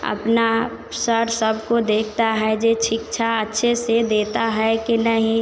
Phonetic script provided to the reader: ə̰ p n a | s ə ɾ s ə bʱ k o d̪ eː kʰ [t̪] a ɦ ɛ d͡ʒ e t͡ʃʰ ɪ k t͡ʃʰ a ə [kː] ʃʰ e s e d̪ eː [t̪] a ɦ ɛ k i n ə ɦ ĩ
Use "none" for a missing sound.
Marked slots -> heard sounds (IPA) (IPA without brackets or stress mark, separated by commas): t̪, tː, t̪